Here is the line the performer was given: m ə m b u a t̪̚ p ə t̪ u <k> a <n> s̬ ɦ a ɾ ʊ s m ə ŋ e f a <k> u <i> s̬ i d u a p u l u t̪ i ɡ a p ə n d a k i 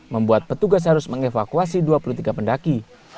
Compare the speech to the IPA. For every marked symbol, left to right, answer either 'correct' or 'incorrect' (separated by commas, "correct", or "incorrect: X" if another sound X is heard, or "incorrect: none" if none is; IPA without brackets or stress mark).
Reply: incorrect: ɡ, incorrect: none, correct, incorrect: a